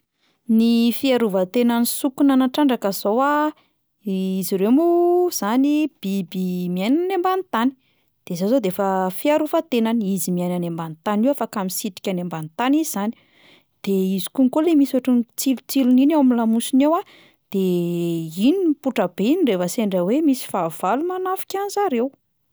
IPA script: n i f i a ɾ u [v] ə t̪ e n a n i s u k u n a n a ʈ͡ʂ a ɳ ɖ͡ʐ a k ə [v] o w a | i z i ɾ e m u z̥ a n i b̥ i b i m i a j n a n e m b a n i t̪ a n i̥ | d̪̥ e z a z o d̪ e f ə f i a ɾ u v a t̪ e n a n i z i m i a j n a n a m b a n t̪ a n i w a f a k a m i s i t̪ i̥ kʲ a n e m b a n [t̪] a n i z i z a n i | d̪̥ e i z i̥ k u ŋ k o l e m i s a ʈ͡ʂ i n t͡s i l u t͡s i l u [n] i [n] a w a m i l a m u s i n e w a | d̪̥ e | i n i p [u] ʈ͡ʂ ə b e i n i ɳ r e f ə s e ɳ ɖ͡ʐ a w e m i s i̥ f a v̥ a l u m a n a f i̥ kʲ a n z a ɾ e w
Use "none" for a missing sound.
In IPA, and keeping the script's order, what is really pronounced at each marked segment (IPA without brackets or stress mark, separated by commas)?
v, z, t̪, n, n, u